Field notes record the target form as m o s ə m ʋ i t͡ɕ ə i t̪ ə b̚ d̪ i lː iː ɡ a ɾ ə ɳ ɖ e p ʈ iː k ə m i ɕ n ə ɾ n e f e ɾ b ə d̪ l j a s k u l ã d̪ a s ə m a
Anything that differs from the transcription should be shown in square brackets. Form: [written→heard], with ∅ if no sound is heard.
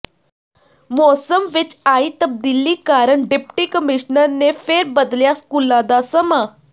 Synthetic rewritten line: m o s ə m ʋ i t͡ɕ [ə→a] i t̪ ə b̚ d̪ i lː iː [ɡ→k] a ɾ ə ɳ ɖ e p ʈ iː k ə m i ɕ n ə ɾ n e f e ɾ b ə d̪ l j a s k u l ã d̪ a s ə m a